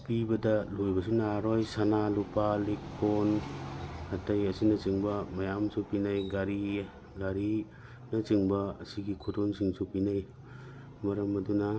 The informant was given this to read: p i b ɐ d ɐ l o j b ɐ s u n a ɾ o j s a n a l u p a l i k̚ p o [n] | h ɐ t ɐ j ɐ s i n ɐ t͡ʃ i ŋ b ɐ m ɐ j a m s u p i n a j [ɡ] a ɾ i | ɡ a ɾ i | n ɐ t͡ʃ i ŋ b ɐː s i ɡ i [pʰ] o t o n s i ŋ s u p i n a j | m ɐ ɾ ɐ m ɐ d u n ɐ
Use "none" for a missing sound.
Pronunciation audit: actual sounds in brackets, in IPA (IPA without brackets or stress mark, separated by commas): n, ɡ, kʰ